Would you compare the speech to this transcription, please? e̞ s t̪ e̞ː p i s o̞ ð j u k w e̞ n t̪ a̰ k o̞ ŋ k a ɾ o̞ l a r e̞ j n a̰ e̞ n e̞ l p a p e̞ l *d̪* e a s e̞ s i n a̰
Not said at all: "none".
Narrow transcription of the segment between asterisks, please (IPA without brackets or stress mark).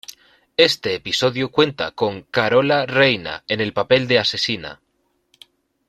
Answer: d̪